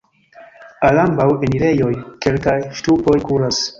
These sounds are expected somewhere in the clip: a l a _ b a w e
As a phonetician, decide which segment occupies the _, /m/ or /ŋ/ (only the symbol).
m